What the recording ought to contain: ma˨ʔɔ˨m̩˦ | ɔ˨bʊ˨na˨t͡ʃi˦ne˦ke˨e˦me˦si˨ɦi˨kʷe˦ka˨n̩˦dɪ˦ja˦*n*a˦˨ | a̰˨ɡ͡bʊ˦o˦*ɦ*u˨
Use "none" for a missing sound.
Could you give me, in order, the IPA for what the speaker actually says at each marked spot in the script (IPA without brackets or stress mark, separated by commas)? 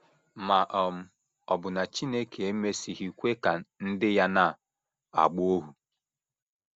n, ɦ